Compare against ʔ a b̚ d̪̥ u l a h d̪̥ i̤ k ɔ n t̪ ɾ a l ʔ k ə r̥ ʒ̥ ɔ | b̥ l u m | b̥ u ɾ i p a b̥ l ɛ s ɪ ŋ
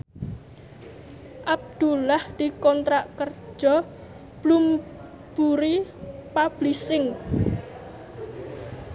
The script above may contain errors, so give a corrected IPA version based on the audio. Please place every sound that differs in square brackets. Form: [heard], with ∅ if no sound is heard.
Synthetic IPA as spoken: ʔ a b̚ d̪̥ u l a h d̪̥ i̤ k ɔ n t̪ ɾ a [∅] ʔ k ə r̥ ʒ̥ ɔ | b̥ l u m | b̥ u ɾ i p a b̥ l [i] s ɪ ŋ